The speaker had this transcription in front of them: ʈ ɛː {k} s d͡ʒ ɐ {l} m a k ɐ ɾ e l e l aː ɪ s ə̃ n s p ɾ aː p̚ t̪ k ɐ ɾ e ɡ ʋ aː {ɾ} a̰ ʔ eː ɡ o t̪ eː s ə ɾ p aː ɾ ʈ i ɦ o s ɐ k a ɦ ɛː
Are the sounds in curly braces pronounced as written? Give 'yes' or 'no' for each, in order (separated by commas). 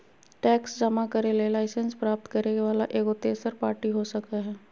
yes, no, no